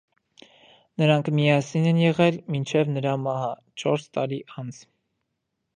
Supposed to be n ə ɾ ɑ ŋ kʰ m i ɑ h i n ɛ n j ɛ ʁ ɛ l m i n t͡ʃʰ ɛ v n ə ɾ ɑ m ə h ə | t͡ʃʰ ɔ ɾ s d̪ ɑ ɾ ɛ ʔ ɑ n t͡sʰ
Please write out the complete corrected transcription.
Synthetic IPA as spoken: n ə ɾ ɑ ŋ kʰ m i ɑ s i n ɛ n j ɛ ʁ ɛ l m i n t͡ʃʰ ɛ v n ə ɾ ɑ m ɑ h ɑ | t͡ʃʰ ɔ ɾ s t̪ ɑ ɾ i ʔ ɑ n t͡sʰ